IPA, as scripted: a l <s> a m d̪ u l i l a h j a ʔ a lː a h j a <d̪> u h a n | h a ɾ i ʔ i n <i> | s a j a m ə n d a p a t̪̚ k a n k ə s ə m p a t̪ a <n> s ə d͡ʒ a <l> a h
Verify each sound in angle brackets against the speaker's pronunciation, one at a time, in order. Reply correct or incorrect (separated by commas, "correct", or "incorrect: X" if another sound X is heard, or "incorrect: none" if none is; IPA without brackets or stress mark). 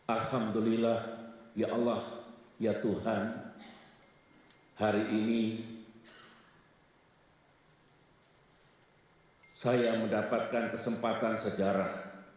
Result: incorrect: h, incorrect: t̪, correct, correct, incorrect: ɾ